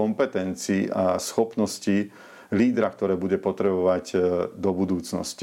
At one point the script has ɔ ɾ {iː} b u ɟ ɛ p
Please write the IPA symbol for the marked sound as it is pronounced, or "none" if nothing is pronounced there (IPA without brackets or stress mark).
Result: ɛː